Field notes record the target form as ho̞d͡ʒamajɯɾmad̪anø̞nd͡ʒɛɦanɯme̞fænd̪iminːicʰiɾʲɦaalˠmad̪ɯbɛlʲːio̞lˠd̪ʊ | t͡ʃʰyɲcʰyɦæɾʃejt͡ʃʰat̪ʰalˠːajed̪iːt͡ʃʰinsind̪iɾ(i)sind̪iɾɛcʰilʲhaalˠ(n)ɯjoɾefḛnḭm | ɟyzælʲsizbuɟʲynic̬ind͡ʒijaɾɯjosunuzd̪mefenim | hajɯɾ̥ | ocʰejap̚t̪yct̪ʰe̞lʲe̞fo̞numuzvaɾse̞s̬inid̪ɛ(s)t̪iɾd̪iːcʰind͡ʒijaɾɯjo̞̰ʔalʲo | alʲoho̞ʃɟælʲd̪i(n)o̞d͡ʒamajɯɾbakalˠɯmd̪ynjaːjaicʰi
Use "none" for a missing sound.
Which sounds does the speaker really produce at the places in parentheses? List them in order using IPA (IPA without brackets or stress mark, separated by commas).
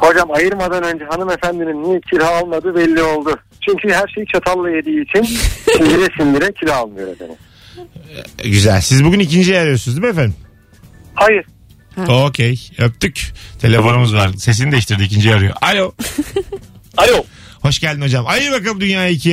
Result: ɛ, m, ʃ, n